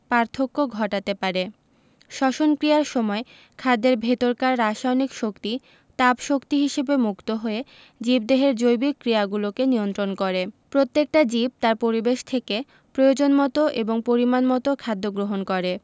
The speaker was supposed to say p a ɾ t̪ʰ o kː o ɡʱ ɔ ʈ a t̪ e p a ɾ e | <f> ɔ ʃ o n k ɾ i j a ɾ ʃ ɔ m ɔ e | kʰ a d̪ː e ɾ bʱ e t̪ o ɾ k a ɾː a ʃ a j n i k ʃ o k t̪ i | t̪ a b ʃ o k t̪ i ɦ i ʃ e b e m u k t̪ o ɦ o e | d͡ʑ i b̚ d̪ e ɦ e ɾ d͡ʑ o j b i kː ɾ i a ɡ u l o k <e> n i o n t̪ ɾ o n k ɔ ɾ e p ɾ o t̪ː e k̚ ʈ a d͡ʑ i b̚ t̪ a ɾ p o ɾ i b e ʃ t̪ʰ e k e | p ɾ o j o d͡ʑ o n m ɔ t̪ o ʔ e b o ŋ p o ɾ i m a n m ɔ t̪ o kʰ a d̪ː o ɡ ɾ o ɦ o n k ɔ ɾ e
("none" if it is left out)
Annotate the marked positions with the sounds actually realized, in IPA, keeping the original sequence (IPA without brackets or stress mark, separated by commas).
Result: ʃ, e